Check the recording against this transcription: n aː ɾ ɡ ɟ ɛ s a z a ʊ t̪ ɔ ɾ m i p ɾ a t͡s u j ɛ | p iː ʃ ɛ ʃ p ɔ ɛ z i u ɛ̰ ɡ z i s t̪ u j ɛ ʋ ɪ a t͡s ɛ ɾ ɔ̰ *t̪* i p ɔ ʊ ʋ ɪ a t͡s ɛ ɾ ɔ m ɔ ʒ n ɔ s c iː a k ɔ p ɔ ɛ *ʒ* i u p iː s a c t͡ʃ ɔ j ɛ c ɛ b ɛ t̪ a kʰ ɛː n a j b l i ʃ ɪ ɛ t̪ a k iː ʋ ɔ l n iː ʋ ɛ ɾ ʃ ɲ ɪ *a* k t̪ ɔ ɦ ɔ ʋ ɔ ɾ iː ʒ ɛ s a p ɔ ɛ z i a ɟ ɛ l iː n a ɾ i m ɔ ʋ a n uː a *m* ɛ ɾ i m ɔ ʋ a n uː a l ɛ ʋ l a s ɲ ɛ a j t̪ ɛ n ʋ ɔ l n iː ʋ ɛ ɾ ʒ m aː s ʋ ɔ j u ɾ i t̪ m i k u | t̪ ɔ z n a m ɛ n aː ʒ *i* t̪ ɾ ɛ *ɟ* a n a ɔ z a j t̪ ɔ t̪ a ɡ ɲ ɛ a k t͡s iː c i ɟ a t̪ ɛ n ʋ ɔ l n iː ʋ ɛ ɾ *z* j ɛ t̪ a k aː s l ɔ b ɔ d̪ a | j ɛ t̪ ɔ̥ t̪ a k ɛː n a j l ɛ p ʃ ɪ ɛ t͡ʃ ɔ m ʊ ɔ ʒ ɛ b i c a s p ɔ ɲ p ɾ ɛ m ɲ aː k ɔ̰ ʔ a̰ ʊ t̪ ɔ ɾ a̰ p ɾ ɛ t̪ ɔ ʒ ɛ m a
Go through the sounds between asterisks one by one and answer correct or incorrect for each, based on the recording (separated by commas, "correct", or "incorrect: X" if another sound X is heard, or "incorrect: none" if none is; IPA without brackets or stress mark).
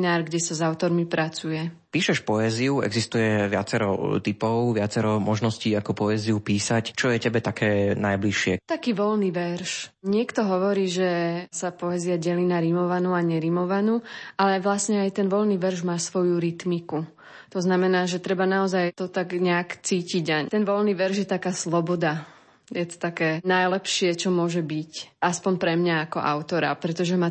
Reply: correct, incorrect: z, incorrect: ɛ, incorrect: ɲ, incorrect: ɛ, incorrect: b, incorrect: ʒ